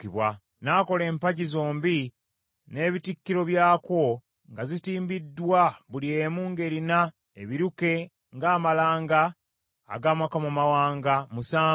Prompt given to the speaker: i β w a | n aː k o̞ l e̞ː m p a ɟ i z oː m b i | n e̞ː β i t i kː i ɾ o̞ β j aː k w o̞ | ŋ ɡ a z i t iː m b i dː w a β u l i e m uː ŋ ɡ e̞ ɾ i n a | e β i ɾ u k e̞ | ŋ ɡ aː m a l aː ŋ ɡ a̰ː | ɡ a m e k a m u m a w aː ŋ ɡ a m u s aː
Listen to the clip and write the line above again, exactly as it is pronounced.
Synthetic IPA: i β w a | n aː k o̞ l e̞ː m p a ɟ i z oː m b i | n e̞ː β i t i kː i ɾ o̞ β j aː k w o̞ | ŋ ɡ a z i t iː m b i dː w a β u l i e m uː ŋ ɡ e̞ ɾ i n a | e β i ɾ u k e̞ | ŋ ɡ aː m a l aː ŋ ɡ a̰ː | ɡ a m a k a m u m a w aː ŋ ɡ a m u s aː